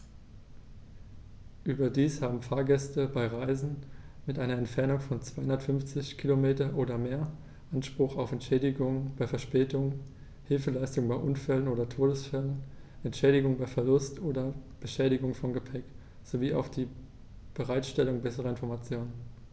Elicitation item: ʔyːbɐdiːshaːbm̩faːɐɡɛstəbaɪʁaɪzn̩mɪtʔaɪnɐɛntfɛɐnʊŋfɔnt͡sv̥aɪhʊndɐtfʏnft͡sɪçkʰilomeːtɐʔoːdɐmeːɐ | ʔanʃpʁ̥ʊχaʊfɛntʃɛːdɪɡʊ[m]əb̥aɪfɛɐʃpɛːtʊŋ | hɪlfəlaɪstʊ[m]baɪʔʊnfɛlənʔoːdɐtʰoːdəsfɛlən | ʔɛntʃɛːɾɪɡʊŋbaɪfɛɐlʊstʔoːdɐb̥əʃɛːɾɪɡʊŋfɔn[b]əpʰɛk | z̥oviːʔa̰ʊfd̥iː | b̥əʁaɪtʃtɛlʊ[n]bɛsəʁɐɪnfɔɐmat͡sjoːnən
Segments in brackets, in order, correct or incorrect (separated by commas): incorrect, incorrect, incorrect, incorrect